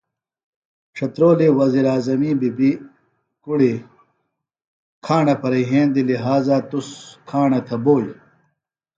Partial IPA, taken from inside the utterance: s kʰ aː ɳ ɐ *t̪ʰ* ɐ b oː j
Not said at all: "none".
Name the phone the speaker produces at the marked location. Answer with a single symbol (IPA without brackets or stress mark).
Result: t̪ʰ